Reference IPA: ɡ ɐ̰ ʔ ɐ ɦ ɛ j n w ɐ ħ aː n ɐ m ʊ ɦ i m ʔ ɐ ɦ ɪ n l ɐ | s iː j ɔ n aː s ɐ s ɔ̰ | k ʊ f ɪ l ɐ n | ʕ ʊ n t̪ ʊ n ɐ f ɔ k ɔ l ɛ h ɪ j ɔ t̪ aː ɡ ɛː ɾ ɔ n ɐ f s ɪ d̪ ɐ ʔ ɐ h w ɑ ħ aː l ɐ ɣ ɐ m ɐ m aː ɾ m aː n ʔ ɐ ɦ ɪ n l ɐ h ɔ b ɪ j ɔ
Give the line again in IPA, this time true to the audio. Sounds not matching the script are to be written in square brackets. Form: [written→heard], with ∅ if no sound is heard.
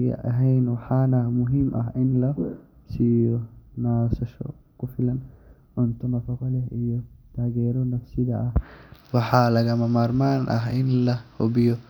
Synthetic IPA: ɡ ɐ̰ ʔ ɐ ɦ ɛ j n w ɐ ħ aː n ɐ m ʊ ɦ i m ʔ ɐ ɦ ɪ n l ɐ | s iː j ɔ n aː s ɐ [s→ʃ] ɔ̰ | k ʊ f ɪ l ɐ n | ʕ ʊ n t̪ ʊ n ɐ f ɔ k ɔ l ɛ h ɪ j ɔ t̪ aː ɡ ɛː ɾ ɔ n ɐ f s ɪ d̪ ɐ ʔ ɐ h w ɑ ħ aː l ɐ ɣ ɐ m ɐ m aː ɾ m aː n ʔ ɐ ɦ ɪ n l ɐ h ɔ b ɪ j ɔ